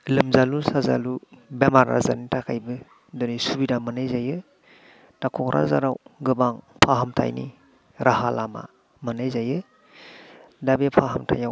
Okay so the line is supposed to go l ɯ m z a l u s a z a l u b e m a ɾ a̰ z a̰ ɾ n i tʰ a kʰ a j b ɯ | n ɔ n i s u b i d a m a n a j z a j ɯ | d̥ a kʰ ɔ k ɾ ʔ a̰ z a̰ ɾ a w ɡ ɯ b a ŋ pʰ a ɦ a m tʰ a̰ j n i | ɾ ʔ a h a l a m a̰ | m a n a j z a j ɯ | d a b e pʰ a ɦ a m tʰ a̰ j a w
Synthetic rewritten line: l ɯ m z a l u s a z a l u b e m a ɾ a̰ z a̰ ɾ n i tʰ a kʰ a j b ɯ | d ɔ n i s u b i d a m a n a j z a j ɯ | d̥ a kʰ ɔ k ɾ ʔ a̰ z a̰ ɾ a w ɡ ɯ b a ŋ pʰ a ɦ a m tʰ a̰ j n i | ɾ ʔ a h a l a m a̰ | m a n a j z a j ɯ | d a b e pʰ a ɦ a m tʰ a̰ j a w